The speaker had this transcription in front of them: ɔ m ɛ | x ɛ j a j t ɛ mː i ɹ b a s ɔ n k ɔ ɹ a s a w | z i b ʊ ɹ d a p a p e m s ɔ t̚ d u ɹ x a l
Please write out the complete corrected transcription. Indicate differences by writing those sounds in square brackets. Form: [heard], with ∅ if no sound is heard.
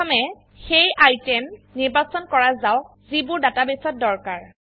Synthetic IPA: ɔ m ɛ | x [e] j a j t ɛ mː i ɹ b a s ɔ n k ɔ ɹ a [z] a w | z i b ʊ ɹ d a [t] a [b] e [∅] s ɔ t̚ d [ɔ] ɹ [k] a [ɹ]